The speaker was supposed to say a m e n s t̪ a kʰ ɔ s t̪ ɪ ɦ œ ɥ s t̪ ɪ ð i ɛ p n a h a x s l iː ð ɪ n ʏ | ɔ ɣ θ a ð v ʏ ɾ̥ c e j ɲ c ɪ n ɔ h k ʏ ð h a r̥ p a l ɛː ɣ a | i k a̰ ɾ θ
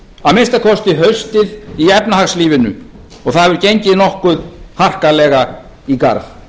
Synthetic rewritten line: a m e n s t̪ a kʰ ɔ s t̪ ɪ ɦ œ ɥ s t̪ ɪ ð i ɛ p n a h a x s l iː v ɪ n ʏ | ɔ ɣ θ a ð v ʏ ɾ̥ c e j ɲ c ɪ n ɔ h k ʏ ð h a r̥ k a l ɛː ɣ a | i k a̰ ɾ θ